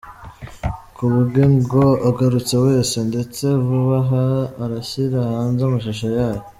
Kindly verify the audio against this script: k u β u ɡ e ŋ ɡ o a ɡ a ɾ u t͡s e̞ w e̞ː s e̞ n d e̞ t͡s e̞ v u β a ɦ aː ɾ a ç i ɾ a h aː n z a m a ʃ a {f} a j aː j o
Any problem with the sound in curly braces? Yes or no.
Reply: yes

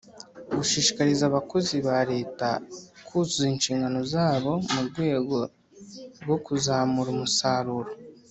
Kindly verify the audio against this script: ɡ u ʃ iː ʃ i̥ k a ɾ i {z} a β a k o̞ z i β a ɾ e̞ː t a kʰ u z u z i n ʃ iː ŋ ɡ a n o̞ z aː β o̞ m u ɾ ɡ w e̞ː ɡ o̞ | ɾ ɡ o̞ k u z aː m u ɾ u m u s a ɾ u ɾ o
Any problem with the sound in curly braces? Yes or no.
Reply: no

